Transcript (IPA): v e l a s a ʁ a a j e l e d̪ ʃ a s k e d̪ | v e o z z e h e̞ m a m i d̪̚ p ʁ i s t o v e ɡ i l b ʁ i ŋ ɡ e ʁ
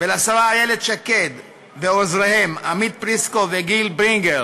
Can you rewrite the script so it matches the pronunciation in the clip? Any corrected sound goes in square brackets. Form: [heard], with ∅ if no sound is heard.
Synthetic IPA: v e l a s a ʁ a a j e l e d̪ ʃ a [∅] k e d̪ | v e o z [ʁ] e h e̞ m a m i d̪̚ p ʁ i s [k] o v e ɡ i l b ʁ i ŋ ɡ e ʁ